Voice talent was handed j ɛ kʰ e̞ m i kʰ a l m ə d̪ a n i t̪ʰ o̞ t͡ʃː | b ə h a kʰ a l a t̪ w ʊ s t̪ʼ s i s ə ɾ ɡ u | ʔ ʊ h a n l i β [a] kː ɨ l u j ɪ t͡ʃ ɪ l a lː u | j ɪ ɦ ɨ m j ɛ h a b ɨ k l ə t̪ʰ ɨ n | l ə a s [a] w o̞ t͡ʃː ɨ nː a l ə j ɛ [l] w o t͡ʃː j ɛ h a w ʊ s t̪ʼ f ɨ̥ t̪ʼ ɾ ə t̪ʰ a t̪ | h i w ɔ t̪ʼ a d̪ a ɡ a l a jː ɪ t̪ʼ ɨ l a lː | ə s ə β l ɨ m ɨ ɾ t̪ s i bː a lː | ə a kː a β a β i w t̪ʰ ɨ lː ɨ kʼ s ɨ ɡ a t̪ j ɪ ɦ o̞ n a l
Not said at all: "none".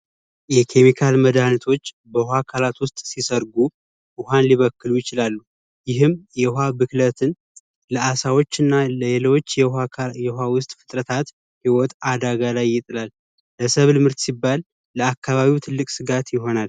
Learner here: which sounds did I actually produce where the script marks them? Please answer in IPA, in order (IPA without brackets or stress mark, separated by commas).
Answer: ə, a, l